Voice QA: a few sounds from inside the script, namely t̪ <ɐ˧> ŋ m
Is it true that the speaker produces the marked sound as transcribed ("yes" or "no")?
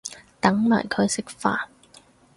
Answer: no